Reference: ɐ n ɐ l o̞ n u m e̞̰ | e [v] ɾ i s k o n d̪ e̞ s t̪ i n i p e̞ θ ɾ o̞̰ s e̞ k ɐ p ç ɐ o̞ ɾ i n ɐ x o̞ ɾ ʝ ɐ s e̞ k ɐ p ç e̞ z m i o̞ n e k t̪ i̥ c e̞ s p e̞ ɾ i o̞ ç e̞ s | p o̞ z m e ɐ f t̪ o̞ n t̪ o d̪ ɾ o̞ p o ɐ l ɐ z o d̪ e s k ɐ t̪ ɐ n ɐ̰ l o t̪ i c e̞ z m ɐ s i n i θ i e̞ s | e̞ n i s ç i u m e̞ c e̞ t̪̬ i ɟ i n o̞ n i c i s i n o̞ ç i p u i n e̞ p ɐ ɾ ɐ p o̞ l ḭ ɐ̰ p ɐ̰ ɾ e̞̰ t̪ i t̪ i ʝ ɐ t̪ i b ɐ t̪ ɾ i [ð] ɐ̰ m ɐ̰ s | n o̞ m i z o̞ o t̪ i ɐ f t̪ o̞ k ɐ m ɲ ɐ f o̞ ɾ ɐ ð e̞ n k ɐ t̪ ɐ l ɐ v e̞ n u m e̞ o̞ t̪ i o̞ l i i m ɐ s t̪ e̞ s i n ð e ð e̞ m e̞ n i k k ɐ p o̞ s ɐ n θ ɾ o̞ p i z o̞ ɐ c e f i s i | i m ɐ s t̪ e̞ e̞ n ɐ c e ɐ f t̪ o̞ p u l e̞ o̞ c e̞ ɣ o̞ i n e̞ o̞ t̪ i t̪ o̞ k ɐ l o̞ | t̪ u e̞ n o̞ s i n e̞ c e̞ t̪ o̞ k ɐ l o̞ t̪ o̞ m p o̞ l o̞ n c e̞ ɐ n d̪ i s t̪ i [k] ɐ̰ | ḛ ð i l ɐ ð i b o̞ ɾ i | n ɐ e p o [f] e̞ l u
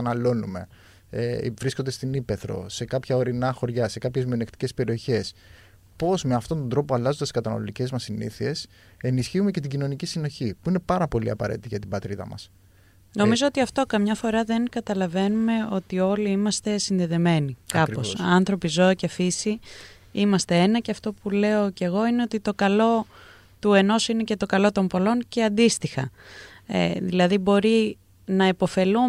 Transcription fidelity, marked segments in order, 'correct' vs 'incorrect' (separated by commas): correct, correct, incorrect, correct